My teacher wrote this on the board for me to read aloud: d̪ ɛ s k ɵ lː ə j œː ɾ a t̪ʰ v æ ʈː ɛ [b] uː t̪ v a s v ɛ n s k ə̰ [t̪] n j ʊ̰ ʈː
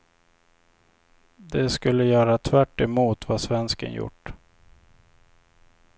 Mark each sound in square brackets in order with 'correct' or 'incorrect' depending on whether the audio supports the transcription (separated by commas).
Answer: incorrect, incorrect